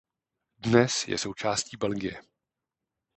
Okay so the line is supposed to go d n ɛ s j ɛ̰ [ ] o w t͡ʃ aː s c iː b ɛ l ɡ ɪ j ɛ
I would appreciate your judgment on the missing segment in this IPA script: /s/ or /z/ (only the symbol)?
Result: s